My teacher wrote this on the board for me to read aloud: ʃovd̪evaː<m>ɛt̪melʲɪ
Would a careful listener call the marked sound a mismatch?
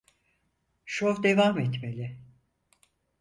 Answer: no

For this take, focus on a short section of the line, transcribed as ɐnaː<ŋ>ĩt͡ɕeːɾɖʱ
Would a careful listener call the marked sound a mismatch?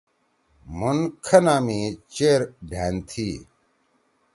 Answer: yes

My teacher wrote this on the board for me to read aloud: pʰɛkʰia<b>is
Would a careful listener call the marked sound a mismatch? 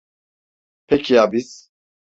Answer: no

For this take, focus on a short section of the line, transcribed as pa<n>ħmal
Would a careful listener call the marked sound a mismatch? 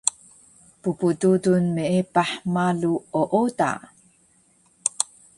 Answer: yes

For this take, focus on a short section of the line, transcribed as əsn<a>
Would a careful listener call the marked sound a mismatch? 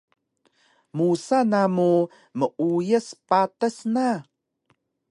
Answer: no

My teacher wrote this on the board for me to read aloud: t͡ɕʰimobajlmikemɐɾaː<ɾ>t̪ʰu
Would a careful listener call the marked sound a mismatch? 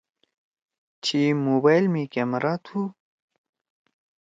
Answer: yes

